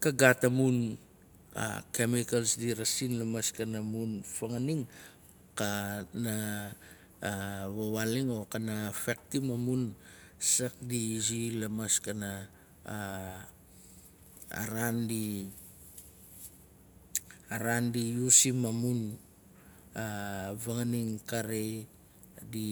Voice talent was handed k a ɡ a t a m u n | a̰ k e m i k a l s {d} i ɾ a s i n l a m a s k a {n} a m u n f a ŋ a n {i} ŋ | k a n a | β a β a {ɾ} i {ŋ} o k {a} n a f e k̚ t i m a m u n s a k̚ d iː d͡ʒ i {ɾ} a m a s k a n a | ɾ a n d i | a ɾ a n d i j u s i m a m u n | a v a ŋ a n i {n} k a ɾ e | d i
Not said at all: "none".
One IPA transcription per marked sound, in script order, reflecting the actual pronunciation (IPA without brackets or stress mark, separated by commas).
d, n, i, l, ŋ, a, l, ŋ